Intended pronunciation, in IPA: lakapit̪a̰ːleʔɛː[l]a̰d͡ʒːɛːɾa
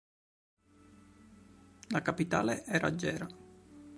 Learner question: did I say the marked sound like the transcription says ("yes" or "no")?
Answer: no